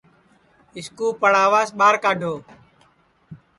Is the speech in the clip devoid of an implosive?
no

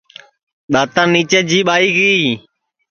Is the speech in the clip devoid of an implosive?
no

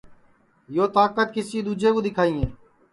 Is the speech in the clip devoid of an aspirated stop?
no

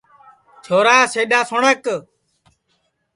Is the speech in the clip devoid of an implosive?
no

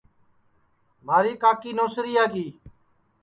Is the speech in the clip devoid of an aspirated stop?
yes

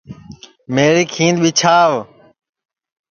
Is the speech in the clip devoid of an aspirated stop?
no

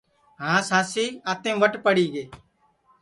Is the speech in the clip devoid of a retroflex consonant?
no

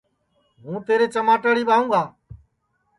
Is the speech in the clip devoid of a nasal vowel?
no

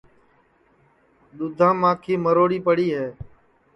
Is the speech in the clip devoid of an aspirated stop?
no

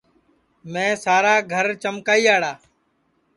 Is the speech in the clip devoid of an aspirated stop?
yes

